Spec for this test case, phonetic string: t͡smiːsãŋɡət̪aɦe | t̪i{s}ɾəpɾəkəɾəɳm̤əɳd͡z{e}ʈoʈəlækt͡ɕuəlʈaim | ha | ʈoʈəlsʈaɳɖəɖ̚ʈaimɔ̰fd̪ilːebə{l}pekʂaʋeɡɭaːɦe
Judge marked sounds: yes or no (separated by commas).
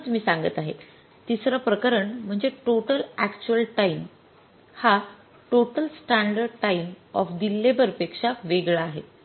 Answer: yes, yes, no